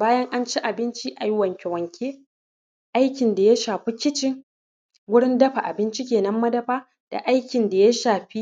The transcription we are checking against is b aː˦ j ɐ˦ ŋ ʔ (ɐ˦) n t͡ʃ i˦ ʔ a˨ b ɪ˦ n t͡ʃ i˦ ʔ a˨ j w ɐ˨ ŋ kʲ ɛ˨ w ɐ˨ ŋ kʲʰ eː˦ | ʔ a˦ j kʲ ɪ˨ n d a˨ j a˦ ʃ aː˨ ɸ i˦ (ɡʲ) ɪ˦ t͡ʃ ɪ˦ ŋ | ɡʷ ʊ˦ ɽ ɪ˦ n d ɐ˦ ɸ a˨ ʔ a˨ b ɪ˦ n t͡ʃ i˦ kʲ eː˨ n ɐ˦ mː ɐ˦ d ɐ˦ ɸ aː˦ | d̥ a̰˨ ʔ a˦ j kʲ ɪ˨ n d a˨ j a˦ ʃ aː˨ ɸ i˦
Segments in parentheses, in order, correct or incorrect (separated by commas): incorrect, incorrect